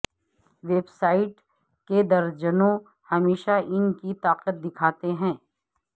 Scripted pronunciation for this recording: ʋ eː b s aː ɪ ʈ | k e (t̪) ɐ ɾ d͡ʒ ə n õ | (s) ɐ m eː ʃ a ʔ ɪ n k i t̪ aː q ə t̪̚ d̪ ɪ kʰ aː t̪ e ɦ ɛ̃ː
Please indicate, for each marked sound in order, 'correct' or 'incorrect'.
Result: incorrect: d̪, incorrect: h

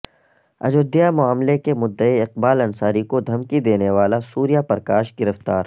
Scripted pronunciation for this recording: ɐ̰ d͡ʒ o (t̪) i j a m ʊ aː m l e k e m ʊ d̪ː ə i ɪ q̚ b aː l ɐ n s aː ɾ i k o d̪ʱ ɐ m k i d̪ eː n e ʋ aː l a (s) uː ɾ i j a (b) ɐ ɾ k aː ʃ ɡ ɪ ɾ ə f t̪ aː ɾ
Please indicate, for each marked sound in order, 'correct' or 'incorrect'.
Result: incorrect: d̪, correct, incorrect: p

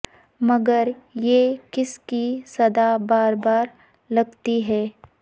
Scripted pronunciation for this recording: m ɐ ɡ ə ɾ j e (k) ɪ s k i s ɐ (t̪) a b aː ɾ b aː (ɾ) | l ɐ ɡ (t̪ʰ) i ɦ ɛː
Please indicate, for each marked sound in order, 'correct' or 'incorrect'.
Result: correct, incorrect: d̪, correct, incorrect: t̪

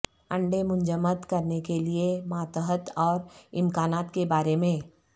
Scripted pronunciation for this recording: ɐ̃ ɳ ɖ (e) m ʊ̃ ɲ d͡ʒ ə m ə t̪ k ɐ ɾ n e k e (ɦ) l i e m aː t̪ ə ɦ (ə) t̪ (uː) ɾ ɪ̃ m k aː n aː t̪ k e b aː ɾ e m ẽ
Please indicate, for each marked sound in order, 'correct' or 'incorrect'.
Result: correct, incorrect: none, correct, incorrect: ɔː

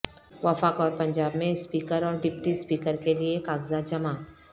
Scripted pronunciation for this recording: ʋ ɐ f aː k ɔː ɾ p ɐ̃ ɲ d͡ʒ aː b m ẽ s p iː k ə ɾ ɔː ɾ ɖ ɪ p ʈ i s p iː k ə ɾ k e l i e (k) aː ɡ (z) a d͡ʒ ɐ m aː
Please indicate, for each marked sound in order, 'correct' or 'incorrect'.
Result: correct, correct

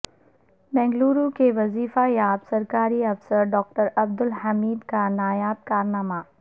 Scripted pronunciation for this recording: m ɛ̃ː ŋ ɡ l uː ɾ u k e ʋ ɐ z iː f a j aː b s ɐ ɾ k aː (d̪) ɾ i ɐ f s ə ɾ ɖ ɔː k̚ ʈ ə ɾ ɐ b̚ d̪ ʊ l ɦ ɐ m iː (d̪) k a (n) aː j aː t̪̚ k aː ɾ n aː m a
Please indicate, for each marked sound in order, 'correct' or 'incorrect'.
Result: incorrect: none, correct, correct

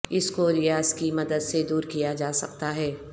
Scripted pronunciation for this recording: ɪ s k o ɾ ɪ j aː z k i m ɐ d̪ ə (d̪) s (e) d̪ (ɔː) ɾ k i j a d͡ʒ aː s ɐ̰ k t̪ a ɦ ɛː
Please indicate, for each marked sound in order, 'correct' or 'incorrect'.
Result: correct, correct, incorrect: uː

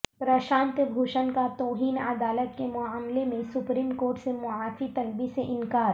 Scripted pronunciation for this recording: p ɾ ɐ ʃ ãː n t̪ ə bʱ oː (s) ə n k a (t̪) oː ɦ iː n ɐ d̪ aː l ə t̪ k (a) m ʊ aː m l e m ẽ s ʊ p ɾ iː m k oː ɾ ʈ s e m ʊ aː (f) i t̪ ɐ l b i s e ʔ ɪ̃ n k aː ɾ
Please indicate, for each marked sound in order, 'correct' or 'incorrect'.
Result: incorrect: ʃ, correct, incorrect: e, correct

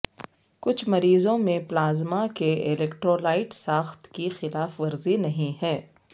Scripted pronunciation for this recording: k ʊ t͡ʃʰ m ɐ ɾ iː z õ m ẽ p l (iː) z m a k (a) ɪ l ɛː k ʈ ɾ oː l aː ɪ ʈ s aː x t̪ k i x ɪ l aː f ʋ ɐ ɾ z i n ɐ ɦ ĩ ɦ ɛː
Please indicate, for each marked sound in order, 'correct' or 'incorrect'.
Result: incorrect: aː, incorrect: e

